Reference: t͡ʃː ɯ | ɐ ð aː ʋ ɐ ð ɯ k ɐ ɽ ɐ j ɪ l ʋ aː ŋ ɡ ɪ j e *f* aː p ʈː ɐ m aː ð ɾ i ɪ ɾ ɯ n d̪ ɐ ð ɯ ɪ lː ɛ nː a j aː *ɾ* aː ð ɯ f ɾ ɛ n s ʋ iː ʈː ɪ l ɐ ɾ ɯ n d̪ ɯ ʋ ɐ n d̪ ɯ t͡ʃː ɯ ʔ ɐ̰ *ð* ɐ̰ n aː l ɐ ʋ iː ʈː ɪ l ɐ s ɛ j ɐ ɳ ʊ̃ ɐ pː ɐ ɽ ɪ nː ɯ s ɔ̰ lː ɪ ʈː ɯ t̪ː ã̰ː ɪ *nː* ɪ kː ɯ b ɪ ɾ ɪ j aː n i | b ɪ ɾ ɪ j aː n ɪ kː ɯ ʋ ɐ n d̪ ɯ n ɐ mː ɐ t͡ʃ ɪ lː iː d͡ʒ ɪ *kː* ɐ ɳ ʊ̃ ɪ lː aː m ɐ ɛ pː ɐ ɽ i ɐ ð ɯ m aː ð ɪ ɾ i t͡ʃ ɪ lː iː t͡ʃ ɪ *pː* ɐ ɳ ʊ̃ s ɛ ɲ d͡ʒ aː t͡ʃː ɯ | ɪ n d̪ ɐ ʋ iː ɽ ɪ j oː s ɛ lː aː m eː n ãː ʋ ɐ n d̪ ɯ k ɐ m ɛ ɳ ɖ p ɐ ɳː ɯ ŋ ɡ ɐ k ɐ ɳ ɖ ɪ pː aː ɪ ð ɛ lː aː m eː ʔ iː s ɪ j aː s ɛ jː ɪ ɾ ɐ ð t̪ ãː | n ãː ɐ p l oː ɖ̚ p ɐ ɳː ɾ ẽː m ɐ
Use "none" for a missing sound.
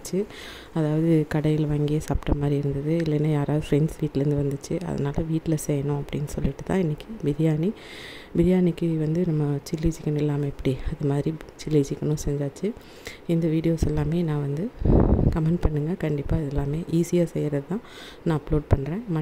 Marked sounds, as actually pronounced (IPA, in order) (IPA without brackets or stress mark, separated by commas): s, ɾ, ð, nː, kː, kː